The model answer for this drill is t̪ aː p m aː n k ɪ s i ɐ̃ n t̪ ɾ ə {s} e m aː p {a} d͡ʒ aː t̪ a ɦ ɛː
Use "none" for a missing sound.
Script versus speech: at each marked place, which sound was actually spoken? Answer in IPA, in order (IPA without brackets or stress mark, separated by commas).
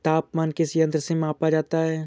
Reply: s, a